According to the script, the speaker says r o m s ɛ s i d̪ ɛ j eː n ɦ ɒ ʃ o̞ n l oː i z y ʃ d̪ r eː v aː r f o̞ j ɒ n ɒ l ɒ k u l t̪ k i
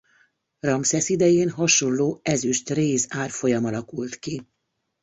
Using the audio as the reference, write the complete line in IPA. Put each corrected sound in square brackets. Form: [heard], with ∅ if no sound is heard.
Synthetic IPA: r [ɒ] m s ɛ s i d̪ ɛ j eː n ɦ ɒ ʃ o̞ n l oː [ɛ] z y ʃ [t̪] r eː [z] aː r f o̞ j ɒ [m] ɒ l ɒ k u l t̪ k i